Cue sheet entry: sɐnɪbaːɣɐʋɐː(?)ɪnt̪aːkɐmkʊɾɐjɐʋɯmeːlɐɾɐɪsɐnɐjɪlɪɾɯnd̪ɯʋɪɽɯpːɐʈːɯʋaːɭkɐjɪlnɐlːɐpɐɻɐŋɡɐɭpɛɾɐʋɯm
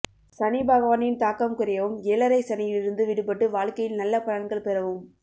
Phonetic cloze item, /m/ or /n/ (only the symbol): n